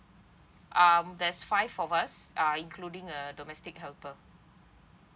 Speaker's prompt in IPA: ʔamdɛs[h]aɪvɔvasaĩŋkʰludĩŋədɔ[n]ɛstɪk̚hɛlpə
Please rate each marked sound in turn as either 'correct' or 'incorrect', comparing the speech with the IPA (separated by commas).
incorrect, incorrect